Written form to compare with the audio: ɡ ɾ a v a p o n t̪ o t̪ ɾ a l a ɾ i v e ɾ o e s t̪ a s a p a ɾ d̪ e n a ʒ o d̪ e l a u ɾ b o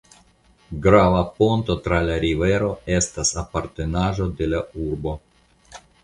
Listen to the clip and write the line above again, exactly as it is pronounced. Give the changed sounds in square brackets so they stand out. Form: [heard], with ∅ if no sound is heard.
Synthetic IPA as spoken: ɡ ɾ a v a p o n t̪ o t̪ ɾ a l a ɾ i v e ɾ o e s t̪ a s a p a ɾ [t̪] e n a ʒ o d̪ e l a u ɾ b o